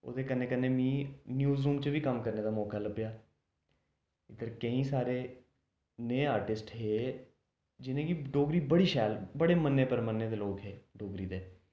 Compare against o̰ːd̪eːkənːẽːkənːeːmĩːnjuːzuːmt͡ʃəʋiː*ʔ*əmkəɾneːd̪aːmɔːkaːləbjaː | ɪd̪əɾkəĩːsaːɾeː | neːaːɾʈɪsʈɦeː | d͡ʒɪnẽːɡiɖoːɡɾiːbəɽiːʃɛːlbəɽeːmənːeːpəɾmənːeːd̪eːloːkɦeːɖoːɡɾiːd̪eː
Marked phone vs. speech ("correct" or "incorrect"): incorrect